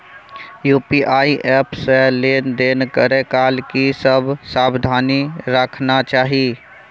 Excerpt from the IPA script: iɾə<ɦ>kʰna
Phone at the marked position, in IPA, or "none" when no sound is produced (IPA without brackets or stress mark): none